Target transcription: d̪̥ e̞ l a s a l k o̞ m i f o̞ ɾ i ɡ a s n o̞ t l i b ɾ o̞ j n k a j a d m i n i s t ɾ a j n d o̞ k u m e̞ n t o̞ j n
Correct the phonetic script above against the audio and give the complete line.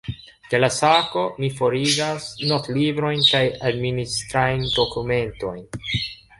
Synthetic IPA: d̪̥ e̞ l a s a k o̞ m i f o̞ ɾ i ɡ a s n o̞ t l i b ɾ o̞ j n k a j a d m i n i s t ɾ a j n d o̞ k u m e̞ n t o̞ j n